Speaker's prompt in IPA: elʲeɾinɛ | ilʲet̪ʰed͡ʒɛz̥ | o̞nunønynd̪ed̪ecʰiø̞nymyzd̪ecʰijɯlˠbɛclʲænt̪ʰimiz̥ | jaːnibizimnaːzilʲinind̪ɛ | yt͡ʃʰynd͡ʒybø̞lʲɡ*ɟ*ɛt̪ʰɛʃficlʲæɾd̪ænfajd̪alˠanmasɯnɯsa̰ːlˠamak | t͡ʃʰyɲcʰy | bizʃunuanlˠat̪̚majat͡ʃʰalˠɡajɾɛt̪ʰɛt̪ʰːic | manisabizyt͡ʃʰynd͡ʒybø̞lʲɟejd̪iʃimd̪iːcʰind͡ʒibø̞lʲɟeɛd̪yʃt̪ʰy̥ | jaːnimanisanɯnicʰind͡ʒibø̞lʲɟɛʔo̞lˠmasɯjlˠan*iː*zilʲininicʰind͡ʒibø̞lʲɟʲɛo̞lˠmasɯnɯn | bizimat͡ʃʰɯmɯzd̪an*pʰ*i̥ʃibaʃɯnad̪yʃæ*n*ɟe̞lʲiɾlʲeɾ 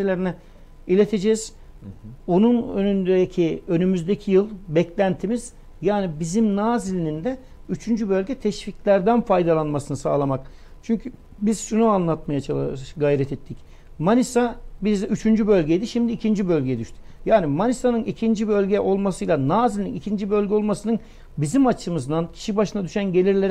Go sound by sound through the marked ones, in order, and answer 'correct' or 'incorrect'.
correct, incorrect: aː, incorrect: cʰ, correct

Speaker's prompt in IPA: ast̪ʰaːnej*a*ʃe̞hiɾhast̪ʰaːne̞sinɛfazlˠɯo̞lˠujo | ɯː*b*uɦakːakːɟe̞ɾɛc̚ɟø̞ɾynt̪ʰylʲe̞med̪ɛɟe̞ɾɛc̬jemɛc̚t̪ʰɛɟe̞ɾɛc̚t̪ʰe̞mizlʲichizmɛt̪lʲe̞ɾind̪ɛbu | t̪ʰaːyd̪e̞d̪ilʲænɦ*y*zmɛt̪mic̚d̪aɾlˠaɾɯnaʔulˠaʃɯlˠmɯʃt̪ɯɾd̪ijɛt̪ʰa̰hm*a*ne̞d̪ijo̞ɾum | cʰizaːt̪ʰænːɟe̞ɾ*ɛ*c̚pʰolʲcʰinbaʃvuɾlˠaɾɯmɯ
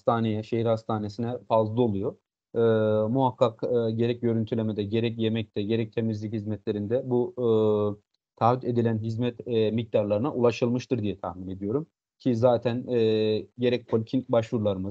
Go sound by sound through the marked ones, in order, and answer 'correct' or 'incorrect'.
incorrect: ɛ, incorrect: m, incorrect: i, incorrect: i, correct

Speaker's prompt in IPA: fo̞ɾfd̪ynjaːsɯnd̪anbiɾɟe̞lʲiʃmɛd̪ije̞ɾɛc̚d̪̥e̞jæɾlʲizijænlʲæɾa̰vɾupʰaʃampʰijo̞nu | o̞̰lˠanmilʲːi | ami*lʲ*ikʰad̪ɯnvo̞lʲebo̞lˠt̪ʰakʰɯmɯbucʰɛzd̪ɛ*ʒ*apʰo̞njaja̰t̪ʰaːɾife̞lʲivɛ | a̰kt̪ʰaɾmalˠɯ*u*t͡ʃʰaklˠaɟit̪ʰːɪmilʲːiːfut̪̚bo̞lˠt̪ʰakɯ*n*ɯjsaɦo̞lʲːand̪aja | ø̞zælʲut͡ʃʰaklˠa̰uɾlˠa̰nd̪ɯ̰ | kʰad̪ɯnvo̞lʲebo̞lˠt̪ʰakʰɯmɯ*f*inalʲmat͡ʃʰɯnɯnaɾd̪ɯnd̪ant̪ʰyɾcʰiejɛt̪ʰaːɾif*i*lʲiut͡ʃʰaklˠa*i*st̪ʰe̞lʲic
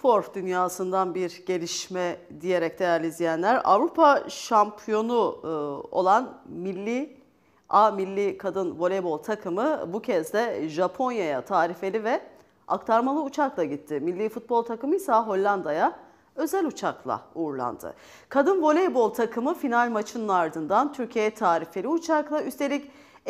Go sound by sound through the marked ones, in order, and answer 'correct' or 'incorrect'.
incorrect: lʲː, correct, correct, incorrect: m, correct, incorrect: e, incorrect: y

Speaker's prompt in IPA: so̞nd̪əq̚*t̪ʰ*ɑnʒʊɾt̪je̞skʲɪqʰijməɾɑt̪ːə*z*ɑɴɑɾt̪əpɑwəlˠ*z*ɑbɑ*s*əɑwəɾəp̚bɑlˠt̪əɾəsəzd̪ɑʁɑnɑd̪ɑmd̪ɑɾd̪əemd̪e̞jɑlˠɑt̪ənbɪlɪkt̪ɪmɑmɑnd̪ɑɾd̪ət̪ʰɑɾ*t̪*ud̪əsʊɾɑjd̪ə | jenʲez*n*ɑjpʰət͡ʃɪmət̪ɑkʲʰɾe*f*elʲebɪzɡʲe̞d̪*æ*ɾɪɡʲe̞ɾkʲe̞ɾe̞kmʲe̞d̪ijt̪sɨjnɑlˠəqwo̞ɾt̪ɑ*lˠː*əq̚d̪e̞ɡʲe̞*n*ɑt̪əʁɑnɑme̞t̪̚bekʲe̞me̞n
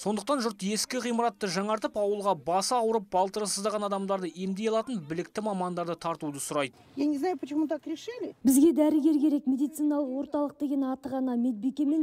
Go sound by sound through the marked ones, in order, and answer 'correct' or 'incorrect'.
incorrect: t̪, incorrect: ʒ, incorrect: ʁ, correct, correct, correct, incorrect: ʃ, correct, incorrect: lˠ, correct

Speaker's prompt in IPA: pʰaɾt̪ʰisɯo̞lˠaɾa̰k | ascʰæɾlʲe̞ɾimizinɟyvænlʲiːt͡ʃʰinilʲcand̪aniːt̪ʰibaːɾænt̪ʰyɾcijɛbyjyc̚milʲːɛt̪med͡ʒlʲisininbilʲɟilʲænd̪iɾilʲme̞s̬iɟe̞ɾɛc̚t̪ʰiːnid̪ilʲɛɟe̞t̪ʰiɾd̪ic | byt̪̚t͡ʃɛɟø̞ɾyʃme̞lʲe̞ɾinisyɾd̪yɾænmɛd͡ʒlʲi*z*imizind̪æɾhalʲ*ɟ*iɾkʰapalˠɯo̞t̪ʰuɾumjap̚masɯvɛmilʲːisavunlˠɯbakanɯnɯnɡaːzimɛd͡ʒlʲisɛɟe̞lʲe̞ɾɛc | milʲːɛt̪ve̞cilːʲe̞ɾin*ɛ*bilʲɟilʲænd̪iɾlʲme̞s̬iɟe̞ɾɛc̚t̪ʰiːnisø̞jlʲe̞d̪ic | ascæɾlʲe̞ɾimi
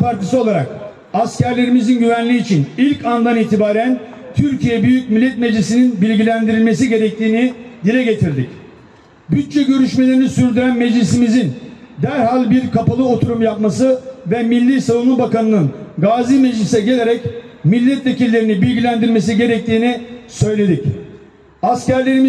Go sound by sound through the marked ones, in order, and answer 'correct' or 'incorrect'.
incorrect: s, incorrect: b, incorrect: i

